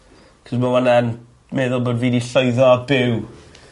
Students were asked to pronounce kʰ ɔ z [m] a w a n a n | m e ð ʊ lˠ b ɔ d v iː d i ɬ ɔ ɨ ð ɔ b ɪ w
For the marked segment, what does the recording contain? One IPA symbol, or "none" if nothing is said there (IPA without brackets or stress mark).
m